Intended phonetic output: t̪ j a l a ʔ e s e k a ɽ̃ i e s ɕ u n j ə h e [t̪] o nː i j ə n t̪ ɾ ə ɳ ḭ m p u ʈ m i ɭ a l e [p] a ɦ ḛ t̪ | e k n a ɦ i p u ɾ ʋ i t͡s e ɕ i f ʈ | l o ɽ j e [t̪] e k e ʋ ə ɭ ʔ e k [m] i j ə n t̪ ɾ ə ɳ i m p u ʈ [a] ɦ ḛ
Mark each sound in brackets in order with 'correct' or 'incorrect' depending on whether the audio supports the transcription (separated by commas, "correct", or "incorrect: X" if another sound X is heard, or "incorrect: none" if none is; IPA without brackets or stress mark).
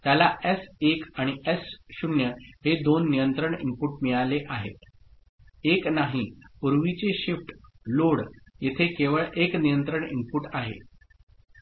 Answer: incorrect: d̪, incorrect: ʔ, incorrect: t̪ʰ, incorrect: n, correct